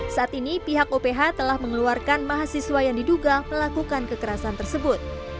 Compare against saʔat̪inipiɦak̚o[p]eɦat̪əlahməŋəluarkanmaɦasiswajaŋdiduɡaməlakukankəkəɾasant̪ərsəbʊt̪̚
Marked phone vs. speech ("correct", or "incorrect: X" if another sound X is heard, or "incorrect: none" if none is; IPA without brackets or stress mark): correct